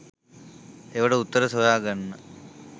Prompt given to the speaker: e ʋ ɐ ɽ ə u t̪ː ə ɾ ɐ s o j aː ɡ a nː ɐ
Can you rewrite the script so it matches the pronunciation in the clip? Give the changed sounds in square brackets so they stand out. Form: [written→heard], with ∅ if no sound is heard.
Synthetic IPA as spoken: e ʋ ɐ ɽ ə u t̪ː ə ɾ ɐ s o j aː ɡ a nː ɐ